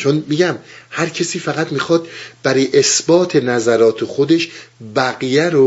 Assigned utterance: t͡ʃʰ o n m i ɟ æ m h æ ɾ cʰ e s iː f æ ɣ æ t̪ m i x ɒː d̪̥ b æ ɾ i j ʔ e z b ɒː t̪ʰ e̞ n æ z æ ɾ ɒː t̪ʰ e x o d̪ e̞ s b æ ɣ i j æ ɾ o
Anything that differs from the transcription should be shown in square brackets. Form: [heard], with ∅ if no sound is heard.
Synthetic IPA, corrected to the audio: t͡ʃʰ o n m i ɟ æ m h æ ɾ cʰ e s iː f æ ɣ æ t̪ m i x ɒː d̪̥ b æ ɾ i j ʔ e [s] b ɒː t̪ʰ e̞ n æ z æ ɾ ɒː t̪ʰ e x o d̪ e̞ [ʃ] b æ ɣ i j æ ɾ o